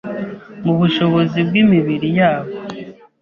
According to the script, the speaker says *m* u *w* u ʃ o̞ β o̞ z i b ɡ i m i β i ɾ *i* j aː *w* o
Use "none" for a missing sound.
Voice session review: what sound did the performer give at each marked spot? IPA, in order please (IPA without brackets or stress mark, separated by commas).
m, β, i, β